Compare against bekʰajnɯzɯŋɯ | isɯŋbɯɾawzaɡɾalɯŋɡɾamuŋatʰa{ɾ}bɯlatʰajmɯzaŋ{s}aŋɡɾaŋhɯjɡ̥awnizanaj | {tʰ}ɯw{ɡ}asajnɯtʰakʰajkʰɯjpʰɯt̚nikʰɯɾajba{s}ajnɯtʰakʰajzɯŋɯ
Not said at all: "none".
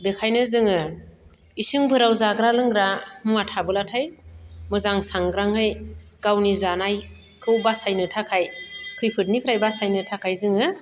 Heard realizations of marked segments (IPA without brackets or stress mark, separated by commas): none, s, kʰ, b, s